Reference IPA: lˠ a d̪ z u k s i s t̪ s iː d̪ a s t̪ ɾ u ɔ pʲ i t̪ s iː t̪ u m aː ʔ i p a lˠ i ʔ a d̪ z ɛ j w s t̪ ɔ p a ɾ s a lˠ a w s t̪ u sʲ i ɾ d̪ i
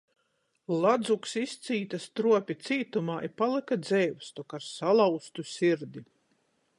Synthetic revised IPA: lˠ a d̪ z u k s i s t̪ s iː t̪ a s t̪ ɾ u ɔ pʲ i t̪ s iː t̪ u m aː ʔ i p a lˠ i k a d̪ z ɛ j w s t̪ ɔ k a ɾ s a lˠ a w s t̪ u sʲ i ɾ d̪ i